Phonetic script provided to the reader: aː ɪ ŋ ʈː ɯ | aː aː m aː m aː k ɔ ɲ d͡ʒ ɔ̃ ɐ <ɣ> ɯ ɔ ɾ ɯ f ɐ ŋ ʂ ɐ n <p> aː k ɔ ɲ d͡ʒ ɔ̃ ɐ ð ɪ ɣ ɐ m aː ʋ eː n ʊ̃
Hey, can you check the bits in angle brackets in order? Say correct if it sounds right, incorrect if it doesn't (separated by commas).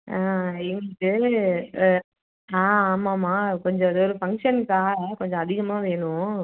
incorrect, incorrect